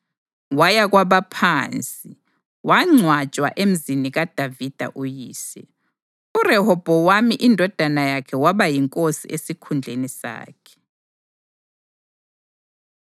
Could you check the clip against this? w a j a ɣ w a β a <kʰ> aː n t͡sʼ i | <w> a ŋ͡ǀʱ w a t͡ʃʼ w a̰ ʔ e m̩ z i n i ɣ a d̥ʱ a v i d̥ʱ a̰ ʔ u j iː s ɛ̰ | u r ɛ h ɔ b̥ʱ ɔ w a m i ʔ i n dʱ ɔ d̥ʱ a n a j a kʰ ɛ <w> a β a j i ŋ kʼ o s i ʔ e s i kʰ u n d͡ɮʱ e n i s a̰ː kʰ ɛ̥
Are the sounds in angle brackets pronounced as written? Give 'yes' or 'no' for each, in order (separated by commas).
no, yes, yes